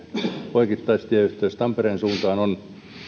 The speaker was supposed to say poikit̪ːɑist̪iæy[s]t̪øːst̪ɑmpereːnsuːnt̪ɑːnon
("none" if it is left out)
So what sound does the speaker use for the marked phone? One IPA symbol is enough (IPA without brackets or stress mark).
h